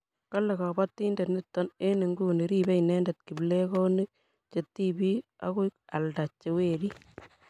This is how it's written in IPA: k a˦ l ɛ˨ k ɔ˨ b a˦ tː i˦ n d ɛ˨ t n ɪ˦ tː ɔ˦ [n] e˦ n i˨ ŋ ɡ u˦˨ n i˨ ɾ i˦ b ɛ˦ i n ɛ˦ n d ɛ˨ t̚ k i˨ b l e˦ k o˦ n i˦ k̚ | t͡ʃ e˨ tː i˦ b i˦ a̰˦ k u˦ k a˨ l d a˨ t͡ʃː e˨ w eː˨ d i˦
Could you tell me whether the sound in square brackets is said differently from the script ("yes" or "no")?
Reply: no